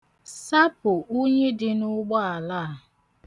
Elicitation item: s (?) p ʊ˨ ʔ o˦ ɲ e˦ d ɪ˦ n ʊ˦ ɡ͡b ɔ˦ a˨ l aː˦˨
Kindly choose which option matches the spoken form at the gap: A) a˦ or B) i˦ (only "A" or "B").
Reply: A